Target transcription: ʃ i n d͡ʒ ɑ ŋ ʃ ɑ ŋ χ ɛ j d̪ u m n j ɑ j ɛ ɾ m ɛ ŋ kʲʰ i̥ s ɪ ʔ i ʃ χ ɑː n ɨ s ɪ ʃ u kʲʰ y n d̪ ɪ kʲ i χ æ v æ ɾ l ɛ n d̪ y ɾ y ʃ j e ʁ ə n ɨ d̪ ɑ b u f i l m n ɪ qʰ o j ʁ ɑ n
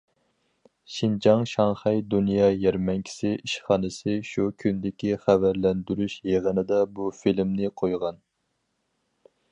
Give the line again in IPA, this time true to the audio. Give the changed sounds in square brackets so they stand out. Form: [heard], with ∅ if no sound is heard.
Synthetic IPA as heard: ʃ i n d͡ʒ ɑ ŋ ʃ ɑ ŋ χ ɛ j d̪ u [∅] n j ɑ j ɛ ɾ m ɛ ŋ kʲʰ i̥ s ɪ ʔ i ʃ χ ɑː n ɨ s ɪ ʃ u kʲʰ y n d̪ ɪ kʲ i χ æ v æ ɾ l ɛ n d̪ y ɾ y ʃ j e ʁ ə n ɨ d̪ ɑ b u f i l m n ɪ qʰ o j ʁ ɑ n